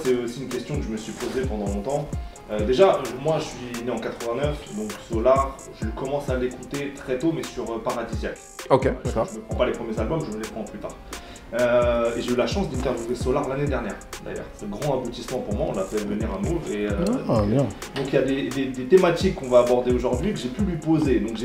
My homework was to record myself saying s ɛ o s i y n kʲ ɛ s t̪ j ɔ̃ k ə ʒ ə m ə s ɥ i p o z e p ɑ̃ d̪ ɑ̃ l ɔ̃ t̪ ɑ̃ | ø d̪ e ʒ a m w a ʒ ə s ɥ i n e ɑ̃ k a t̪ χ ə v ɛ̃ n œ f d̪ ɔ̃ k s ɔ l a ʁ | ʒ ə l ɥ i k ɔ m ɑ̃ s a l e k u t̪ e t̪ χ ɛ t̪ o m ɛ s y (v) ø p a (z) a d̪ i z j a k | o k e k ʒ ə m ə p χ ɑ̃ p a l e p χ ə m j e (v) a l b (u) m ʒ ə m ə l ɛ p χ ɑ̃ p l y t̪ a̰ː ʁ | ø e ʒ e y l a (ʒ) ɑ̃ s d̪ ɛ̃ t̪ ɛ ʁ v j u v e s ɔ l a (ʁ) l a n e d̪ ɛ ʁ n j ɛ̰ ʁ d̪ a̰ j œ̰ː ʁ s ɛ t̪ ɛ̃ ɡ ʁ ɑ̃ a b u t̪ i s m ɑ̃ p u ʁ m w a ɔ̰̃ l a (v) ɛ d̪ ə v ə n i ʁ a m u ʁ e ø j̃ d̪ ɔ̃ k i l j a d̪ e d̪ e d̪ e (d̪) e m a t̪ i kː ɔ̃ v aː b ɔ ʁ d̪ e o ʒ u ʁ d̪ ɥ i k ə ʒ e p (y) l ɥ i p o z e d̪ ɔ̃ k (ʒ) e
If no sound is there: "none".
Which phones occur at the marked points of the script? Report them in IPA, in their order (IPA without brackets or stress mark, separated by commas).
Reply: ʁ, ʁ, z, ɔ, ʃ, ʁ, f, t̪, y, ʒ